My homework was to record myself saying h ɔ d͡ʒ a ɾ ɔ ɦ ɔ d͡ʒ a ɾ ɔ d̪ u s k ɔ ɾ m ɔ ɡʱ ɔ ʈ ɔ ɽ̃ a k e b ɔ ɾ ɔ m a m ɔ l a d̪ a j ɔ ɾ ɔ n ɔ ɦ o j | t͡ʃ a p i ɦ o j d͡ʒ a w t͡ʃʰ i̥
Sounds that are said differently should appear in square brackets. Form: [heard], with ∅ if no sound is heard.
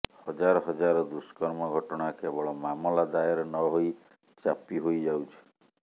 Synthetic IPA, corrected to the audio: h ɔ d͡ʒ a ɾ ɔ ɦ ɔ d͡ʒ a ɾ ɔ d̪ u s k ɔ ɾ m ɔ ɡʱ ɔ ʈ ɔ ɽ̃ a k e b ɔ [ɭ] ɔ m a m ɔ l a d̪ a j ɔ ɾ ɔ n ɔ ɦ o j | t͡ʃ a p i ɦ o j d͡ʒ a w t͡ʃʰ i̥